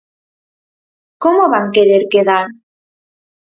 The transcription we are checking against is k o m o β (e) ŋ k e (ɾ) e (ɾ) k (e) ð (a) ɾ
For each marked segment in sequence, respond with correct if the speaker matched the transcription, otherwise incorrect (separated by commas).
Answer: incorrect, correct, correct, correct, correct